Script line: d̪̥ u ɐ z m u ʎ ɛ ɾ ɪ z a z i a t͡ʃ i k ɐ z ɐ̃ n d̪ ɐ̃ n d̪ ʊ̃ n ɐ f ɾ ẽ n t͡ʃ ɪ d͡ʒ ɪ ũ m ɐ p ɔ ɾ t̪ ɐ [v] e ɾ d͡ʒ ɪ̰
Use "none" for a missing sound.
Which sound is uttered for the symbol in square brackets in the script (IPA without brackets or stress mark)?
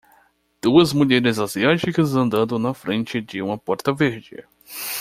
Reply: v